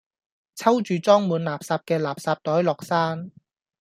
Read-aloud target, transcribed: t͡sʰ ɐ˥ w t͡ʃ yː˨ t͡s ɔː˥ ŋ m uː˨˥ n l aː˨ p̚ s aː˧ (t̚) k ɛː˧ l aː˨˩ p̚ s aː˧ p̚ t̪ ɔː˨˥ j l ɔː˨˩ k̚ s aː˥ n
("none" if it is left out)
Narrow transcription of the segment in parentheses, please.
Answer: p̚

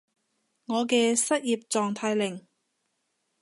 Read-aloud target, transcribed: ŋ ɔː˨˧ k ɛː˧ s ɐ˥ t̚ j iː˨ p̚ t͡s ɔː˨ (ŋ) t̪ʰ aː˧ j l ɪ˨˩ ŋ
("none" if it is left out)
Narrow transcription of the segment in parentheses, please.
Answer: ŋ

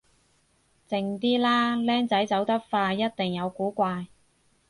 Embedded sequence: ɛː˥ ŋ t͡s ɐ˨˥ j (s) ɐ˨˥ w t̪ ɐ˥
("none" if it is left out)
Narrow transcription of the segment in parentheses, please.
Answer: t͡s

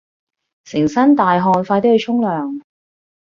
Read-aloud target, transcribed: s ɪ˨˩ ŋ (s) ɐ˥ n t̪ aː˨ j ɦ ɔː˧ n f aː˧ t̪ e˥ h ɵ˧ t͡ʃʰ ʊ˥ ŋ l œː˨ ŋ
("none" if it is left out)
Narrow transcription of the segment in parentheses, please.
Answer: s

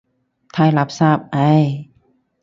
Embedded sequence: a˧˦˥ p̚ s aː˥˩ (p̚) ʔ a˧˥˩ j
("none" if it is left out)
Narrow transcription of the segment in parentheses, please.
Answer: p̚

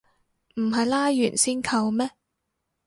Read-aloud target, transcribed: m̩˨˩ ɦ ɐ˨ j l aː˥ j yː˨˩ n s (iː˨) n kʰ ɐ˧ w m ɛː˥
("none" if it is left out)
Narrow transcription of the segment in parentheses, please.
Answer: iː˥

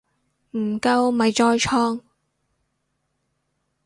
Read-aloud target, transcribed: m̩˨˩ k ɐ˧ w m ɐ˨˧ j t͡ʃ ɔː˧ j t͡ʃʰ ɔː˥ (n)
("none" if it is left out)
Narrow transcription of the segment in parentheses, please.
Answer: ŋ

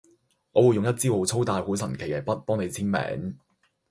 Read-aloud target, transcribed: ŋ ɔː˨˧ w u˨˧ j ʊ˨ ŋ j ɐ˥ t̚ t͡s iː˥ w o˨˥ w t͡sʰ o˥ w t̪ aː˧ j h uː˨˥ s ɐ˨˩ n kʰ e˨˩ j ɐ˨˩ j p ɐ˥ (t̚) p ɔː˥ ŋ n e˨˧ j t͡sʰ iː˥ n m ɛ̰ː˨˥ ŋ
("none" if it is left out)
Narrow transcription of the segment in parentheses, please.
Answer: t̚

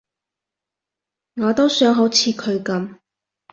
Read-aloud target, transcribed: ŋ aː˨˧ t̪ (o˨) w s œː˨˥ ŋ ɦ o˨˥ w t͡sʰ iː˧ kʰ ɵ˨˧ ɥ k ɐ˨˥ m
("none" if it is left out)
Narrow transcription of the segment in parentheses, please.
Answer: o˥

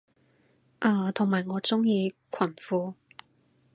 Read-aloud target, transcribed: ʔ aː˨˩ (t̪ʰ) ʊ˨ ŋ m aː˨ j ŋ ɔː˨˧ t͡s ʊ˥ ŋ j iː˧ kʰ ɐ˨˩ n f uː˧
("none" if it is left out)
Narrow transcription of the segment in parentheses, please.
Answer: t̪ʰ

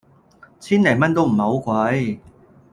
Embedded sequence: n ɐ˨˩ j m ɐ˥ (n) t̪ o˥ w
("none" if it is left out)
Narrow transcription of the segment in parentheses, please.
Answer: n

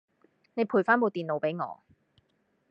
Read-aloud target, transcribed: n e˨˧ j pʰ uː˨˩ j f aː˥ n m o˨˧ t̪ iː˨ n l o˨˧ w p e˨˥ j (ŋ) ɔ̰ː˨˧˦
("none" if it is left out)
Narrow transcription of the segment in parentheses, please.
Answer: ŋ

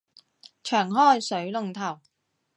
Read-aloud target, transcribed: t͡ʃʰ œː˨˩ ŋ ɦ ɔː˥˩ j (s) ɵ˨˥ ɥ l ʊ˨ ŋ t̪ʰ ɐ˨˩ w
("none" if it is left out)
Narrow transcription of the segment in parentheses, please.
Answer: s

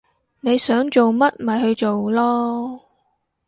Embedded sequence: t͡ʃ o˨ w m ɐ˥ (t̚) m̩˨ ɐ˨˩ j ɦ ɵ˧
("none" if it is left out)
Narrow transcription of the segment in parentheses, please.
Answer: t̚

